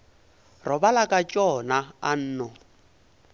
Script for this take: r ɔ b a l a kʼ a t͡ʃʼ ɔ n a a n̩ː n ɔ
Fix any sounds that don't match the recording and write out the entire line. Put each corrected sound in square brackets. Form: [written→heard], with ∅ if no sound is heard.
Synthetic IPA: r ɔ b a l a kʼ a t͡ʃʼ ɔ n a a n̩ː n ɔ